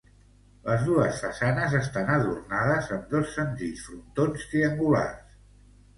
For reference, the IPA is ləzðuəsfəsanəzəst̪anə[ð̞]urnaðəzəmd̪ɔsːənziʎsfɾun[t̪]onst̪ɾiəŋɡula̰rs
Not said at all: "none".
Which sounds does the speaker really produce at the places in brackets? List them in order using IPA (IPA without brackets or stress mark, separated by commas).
ð̞, t̪